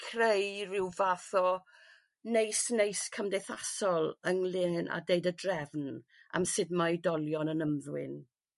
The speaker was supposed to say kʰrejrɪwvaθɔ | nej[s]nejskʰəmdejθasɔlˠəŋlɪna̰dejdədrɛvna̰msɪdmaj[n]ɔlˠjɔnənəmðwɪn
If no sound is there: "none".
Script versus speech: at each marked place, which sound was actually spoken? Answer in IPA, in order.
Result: s, d

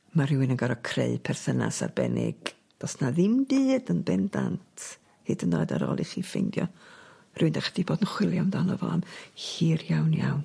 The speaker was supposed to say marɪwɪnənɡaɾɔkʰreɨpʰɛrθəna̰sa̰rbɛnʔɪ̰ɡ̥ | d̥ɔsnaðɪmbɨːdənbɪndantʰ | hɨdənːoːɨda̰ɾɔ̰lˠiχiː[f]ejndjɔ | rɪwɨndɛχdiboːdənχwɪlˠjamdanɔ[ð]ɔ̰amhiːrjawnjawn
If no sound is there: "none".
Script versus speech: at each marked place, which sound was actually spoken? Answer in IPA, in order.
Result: f, v

